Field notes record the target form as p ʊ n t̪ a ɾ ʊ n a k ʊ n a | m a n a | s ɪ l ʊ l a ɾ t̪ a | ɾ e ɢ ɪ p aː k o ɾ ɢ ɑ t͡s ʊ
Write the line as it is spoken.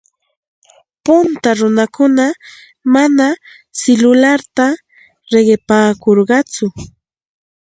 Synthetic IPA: p ʊ n t̪ a ɾ ʊ n a k ʊ n a | m a n a | s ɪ l ʊ l a ɾ t̪ a | ɾ e ɢ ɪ p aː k o ɾ ɢ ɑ t͡s ʊ